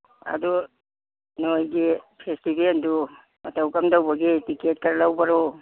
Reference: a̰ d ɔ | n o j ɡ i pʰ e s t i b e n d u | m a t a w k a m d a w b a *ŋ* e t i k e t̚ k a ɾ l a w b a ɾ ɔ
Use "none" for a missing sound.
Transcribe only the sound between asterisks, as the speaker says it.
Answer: ɡ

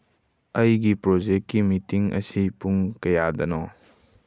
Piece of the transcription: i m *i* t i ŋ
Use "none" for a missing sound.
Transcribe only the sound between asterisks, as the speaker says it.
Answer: i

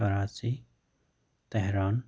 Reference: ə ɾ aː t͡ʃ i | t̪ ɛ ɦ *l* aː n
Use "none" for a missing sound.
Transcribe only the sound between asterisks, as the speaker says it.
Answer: ɾ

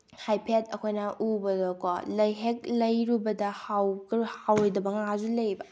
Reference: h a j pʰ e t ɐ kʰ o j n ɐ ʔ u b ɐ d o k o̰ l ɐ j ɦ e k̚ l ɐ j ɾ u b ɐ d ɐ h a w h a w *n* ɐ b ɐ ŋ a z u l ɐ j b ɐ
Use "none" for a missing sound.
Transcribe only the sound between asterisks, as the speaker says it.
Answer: d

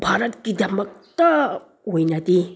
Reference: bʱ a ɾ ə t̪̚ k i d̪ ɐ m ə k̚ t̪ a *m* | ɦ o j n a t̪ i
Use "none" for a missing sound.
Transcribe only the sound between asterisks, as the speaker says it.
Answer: none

